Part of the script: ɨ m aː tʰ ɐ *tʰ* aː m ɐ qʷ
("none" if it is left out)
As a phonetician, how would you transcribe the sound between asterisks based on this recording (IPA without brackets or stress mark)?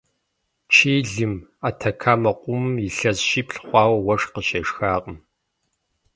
kʰ